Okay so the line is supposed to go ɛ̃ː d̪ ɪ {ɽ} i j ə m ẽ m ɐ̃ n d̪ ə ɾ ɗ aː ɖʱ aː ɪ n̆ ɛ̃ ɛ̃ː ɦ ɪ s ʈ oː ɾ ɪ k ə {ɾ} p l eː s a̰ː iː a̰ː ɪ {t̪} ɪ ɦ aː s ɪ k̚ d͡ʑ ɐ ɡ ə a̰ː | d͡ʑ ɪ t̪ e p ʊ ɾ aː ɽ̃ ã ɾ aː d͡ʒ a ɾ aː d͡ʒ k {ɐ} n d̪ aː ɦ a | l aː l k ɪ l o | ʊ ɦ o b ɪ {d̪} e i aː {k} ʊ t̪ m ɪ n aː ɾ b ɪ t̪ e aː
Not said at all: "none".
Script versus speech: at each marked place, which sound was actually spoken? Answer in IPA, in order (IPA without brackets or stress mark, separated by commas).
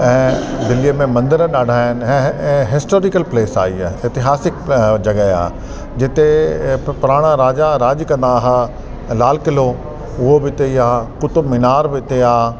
l, l, t̪, ɐ̃, t̪, k